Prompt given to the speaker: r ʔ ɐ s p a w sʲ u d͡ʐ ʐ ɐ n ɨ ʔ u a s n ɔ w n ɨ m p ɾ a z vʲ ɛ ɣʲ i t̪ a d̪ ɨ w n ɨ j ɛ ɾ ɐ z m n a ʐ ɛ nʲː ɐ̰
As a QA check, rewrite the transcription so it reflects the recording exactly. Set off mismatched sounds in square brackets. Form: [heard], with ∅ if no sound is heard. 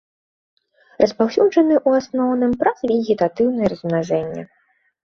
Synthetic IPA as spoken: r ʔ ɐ s p a w sʲ u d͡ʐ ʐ ɐ n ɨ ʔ u a s n ɔ w n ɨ m p ɾ a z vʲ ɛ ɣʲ i t̪ a [t̪] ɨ w n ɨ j ɛ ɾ ɐ z m n a ʐ ɛ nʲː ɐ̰